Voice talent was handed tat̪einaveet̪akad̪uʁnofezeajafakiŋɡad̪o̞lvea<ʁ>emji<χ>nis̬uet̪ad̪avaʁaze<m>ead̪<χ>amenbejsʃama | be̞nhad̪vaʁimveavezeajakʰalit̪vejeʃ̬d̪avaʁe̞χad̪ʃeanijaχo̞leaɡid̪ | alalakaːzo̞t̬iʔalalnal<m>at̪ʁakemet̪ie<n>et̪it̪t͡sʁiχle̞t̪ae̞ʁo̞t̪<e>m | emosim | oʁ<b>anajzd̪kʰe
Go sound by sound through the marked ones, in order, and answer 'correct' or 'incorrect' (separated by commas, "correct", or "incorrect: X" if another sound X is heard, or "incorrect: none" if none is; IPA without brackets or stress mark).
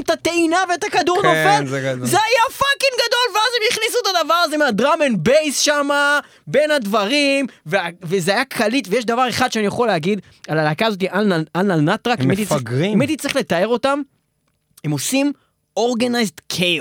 incorrect: z, correct, correct, incorrect: ʁ, incorrect: n, incorrect: m, incorrect: a, incorrect: ɡ